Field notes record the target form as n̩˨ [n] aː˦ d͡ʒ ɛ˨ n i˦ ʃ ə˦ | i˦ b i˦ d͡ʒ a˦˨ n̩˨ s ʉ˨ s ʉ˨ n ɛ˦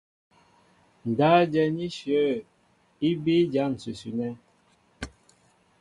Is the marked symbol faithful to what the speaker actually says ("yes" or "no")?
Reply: no